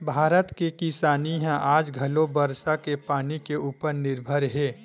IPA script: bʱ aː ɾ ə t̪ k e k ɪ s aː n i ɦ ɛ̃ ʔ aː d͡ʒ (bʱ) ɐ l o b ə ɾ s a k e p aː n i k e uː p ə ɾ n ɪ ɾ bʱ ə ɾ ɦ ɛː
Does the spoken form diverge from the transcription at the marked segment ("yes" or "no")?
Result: yes